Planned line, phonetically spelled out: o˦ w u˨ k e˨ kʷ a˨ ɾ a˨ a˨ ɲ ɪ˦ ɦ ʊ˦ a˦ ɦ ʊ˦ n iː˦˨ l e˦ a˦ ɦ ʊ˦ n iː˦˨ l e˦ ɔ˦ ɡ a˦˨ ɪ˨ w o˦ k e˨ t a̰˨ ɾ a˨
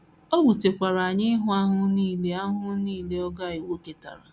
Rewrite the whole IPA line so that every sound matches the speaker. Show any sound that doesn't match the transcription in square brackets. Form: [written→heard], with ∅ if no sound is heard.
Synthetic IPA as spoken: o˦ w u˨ [k→t] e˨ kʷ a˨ ɾ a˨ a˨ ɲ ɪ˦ ɦ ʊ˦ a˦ ɦ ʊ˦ n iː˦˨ l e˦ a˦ ɦ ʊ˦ n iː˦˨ l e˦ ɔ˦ ɡ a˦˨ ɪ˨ w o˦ k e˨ t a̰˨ ɾ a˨